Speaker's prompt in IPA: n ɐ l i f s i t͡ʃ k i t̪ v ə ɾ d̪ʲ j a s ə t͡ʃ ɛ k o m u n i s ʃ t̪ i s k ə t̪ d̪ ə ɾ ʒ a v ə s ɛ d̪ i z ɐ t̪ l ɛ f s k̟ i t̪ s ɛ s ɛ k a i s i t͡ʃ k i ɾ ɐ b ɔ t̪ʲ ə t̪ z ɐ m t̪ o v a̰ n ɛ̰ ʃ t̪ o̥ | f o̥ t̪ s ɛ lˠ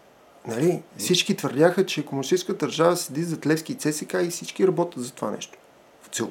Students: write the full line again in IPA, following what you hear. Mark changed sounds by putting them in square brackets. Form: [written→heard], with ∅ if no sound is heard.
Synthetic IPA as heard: n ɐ l i f s i t͡ʃ k i t̪ v ə ɾ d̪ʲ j a [s→x] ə t͡ʃ ɛ k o m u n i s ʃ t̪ i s k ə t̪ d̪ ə ɾ ʒ a v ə s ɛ d̪ i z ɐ t̪ l ɛ f s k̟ i t̪ s ɛ s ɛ k a i s i t͡ʃ k i ɾ ɐ b ɔ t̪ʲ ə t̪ z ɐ [m→∅] t̪ o v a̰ n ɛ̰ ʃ t̪ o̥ | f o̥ t̪ s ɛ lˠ